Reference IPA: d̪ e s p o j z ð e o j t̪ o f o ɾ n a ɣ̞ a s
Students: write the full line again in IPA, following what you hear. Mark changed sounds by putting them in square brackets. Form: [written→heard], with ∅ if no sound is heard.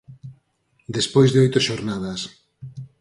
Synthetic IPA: d̪ e s p o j z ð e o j t̪ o [f→ʃ] o ɾ n a [ɣ̞→ð̞] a s